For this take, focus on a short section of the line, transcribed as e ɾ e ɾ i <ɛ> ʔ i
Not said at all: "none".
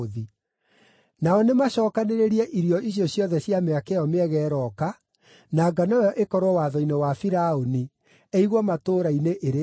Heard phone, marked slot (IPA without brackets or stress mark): ɛ